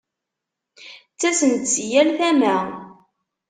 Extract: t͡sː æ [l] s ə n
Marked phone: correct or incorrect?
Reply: incorrect